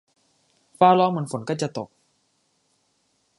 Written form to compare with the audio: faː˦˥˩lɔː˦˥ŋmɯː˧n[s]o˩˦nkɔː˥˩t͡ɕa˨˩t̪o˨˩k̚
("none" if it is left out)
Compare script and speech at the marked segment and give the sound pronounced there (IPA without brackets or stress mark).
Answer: f